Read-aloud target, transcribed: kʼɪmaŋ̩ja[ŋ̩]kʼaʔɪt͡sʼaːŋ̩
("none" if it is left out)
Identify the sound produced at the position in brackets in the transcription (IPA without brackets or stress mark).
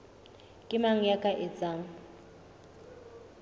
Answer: none